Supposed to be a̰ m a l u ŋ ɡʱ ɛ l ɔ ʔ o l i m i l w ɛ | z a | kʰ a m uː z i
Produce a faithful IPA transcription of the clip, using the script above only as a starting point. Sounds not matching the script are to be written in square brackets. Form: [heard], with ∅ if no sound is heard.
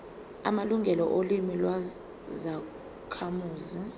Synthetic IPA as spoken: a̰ m a l u ŋ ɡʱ ɛ l ɔ ʔ o l i m i l w [a] | z a | kʰ a m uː z i

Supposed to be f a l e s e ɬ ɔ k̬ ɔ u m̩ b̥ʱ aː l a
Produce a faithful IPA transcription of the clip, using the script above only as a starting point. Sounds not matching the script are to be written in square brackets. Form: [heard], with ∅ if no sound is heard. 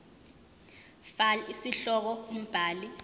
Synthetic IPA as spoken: f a l [i] s [i] ɬ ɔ k̬ ɔ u m̩ b̥ʱ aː l [i]

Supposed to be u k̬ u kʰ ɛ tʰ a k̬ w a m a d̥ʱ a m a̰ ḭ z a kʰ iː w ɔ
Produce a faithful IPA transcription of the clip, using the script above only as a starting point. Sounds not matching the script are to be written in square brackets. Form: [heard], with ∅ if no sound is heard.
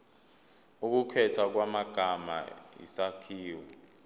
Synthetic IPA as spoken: u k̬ u kʰ ɛ tʰ a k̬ w a m a [ɡ̥ʱ] a m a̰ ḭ [s] a kʰ iː w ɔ

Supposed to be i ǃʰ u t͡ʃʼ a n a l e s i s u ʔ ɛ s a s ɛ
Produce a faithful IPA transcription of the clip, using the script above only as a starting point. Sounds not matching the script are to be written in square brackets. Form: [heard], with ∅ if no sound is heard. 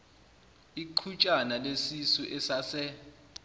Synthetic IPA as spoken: i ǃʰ u t͡ʃʼ a n a l e s i s u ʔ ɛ s a s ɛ

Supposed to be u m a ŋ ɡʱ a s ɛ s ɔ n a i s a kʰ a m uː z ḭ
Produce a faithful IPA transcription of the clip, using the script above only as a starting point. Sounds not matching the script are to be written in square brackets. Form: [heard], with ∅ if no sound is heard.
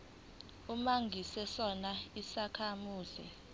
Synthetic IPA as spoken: u m a ŋ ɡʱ [i] s ɛ s ɔ n a i s a kʰ a m uː z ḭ

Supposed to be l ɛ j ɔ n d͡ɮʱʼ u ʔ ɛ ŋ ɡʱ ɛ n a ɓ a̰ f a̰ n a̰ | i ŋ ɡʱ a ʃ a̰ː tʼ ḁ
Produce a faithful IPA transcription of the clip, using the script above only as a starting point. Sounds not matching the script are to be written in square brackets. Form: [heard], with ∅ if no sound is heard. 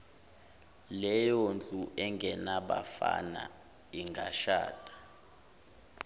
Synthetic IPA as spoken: l ɛ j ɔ n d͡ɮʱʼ u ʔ ɛ ŋ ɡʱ ɛ n a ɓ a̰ f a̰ n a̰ | i ŋ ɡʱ a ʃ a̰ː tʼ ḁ

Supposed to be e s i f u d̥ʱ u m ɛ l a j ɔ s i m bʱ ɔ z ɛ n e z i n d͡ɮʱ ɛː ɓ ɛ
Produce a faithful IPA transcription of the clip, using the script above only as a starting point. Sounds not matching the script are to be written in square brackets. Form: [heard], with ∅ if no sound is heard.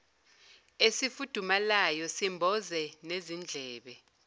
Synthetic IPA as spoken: e s i f u d̥ʱ u m [a] l a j ɔ s i m bʱ ɔ z ɛ n e z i n d͡ɮʱ ɛː ɓ ɛ

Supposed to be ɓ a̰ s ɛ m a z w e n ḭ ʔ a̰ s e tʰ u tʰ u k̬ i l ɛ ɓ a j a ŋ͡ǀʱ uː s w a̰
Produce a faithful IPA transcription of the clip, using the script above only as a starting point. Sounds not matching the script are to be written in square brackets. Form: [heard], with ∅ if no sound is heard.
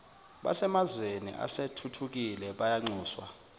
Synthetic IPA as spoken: ɓ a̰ s ɛ m a z w e n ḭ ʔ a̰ s e tʰ u tʰ u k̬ i l ɛ ɓ a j a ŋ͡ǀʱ uː s w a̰

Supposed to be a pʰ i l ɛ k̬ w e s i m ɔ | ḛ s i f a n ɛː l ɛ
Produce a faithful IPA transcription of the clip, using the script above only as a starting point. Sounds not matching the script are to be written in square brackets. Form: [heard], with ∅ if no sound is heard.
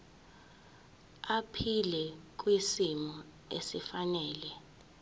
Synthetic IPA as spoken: a pʰ i l ɛ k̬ w [i] s i m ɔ | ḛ s i f a n ɛː l ɛ

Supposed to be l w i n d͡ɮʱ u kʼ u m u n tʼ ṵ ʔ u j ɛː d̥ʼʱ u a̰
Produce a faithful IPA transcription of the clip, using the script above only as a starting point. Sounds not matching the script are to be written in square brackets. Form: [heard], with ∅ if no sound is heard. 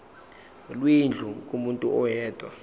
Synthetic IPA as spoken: l w i n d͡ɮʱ u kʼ u m u n tʼ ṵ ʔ [ɔ] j ɛː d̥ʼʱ [w] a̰

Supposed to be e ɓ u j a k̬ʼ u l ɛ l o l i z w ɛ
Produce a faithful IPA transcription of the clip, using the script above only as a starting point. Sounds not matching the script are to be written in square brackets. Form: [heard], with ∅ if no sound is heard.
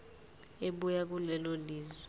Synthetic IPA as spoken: e ɓ u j a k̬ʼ u l ɛ l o l [iː] z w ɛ

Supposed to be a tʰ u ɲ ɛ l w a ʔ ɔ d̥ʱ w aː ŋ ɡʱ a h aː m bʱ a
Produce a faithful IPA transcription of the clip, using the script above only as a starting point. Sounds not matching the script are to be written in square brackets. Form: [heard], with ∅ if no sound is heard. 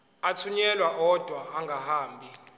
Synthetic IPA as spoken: a tʰ u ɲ ɛ l w a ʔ ɔ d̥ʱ w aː ŋ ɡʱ a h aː m bʱ [i]

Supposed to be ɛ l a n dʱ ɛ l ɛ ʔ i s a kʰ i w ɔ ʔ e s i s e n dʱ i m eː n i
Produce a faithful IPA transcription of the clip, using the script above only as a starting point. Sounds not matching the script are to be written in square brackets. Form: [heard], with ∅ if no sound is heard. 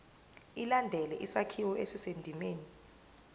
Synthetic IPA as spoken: [i] l a n dʱ ɛ l ɛ ʔ i s a kʰ i w ɔ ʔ e s i s e n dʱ i m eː n i

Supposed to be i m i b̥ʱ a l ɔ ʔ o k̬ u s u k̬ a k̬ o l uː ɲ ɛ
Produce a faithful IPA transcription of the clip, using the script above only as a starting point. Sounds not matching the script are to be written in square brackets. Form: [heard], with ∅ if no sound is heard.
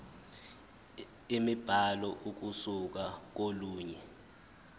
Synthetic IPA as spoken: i m i b̥ʱ a l ɔ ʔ [u] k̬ u s u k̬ a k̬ o l uː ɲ ɛ

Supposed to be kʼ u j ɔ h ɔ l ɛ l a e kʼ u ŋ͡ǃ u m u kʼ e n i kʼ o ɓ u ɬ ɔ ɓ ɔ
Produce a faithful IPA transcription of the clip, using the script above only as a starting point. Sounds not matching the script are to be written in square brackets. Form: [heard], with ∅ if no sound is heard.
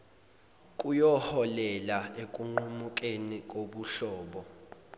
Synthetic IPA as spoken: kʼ u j ɔ h ɔ l ɛ l a e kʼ u ŋ͡ǃ u m u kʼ e n i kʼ o ɓ u ɬ [ɔː] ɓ ɔ

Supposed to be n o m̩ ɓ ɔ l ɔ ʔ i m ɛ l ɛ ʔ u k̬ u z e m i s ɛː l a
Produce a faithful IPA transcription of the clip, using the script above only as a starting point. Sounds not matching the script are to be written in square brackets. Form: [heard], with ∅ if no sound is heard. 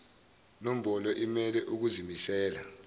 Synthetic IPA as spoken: n o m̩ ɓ ɔ l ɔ ʔ i m ɛ l ɛ ʔ u k̬ u z [i] m i s ɛː l a

